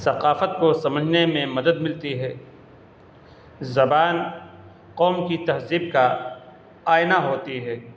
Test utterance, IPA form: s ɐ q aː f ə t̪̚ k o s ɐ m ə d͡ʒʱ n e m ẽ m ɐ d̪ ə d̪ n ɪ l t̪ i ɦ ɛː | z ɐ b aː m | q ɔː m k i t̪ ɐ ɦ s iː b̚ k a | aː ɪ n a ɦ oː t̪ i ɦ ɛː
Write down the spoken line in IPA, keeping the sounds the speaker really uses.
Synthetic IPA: s ɐ q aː f ə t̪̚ k o s ɐ m ə d͡ʒʱ n e m ẽ m ɐ d̪ ə d̪ m ɪ l t̪ i ɦ ɛː | z ɐ b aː n | q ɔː m k i t̪ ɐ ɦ z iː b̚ k a | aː ɪ n a ɦ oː t̪ i ɦ ɛː